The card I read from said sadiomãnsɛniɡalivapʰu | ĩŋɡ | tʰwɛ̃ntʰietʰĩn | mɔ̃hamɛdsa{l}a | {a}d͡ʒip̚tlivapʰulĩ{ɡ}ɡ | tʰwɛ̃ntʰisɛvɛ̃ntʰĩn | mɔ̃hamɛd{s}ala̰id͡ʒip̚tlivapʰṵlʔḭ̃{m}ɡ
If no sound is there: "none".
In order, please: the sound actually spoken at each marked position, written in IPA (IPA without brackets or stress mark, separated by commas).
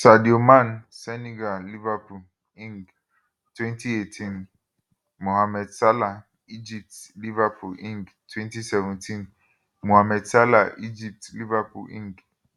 l, i, ŋ, s, ŋ